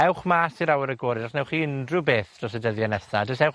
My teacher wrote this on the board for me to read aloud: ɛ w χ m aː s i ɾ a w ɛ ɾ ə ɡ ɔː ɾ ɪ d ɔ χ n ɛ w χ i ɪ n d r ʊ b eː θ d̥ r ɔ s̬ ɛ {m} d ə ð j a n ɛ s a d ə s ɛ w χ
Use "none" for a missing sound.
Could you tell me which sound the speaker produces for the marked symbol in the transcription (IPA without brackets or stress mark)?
none